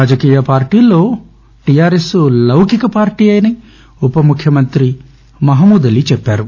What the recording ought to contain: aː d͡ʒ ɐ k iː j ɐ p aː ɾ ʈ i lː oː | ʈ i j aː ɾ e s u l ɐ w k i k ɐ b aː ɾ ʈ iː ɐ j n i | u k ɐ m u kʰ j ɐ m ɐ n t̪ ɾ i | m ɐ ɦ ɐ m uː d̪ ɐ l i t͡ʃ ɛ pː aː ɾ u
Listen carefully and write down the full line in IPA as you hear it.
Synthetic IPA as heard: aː d͡ʒ ɐ k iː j ɐ p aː ɾ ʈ iː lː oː | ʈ i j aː ɾ e s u l ɐ w k i k ɐ p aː ɾ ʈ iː ɐ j n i | u p ɐ m u kʰ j ɐ m ɐ n t̪ ɾ i | m ɐ ɦ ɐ m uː d̪ ɐ l i t͡ʃ ɛ pː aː ɾ u